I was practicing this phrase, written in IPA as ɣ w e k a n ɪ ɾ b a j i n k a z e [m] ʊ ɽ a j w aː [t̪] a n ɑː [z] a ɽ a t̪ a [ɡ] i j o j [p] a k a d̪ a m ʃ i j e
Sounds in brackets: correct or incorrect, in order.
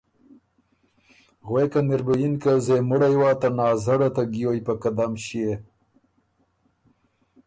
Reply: correct, correct, correct, correct, correct

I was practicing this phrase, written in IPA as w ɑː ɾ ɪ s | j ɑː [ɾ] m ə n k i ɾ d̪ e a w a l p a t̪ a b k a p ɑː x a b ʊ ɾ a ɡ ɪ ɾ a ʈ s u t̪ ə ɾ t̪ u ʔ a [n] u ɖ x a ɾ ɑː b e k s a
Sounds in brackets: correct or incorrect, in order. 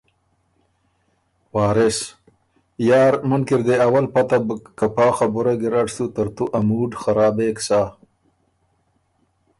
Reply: correct, incorrect: m

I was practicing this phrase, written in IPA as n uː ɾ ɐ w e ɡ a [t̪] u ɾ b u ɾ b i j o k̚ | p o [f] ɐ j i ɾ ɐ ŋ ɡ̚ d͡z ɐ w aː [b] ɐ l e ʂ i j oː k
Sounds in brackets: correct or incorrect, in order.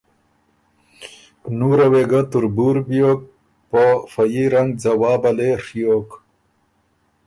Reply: correct, correct, correct

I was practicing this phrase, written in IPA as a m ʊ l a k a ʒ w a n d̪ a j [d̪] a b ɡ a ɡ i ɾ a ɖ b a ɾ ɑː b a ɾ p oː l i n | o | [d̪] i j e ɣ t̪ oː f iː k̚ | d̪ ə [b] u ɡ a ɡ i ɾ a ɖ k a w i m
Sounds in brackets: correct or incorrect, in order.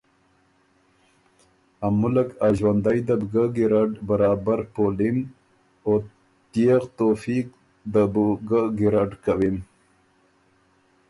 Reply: correct, incorrect: t̪, correct

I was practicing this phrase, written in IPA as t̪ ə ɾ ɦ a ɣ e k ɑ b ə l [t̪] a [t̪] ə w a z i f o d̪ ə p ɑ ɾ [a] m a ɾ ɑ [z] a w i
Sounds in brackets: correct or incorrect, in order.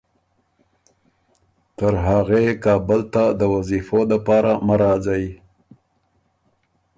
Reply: correct, incorrect: d̪, correct, correct

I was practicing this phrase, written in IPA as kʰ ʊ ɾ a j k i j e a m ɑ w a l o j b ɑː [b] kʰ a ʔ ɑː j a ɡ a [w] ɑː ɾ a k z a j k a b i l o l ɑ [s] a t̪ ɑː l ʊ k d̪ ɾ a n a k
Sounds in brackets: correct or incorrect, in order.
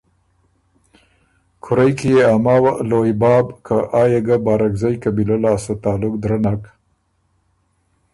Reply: correct, incorrect: b, correct

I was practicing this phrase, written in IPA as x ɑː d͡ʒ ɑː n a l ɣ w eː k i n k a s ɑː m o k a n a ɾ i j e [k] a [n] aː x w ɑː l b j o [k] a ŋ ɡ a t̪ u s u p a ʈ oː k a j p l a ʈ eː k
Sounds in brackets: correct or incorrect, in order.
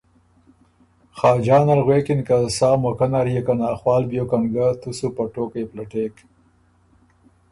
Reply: correct, correct, correct

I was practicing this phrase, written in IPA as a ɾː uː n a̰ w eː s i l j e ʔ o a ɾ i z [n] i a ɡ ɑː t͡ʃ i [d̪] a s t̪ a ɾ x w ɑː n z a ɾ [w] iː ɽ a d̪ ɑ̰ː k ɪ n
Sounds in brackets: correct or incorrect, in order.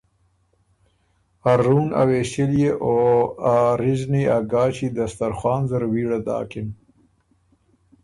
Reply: correct, correct, correct

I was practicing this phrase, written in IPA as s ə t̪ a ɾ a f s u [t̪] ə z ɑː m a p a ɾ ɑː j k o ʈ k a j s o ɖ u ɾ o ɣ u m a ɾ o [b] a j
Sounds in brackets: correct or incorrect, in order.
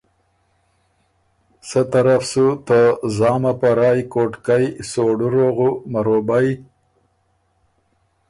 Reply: correct, correct

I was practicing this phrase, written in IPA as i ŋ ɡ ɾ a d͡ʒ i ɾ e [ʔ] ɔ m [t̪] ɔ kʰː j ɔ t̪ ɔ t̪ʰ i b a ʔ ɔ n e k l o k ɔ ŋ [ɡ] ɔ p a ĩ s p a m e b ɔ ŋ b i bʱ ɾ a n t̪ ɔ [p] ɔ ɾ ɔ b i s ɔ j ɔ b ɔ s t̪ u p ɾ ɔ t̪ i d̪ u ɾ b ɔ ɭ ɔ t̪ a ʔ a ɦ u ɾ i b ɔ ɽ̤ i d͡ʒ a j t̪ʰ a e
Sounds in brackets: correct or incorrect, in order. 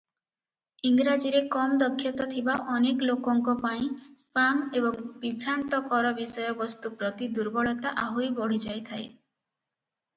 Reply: incorrect: k, incorrect: d̪, incorrect: k, incorrect: k

